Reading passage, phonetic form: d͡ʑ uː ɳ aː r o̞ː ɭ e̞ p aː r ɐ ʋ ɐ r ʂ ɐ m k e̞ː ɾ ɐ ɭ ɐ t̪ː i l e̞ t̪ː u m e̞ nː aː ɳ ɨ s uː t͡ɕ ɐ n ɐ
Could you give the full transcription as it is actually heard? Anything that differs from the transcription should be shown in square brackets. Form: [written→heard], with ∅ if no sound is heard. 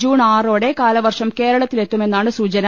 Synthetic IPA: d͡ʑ uː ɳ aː r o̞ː [ɭ→ɽ] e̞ [p→k] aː [r→l] ɐ ʋ ɐ r ʂ ɐ m k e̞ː ɾ ɐ ɭ ɐ t̪ː i l e̞ t̪ː u m e̞ nː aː ɳ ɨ s uː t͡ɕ ɐ n ɐ